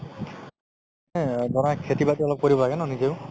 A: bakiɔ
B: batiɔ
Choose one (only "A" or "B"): B